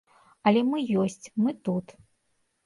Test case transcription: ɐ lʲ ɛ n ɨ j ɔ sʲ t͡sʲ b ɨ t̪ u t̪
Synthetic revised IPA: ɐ lʲ ɛ m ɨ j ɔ sʲ t͡sʲ m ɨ t̪ u t̪